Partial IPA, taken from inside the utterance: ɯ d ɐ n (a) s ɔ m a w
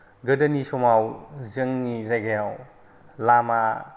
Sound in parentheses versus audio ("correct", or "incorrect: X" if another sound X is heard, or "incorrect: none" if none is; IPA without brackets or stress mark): incorrect: i